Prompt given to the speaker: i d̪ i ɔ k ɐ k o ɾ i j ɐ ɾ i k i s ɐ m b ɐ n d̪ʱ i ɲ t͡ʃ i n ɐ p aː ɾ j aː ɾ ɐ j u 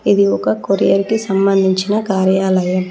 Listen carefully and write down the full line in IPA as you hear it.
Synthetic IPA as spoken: i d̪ i ɔ k ɐ k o ɾ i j ɐ ɾ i k i s ɐ m b ɐ n d̪ʱ i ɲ t͡ʃ i n ɐ k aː ɾ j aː l ɐ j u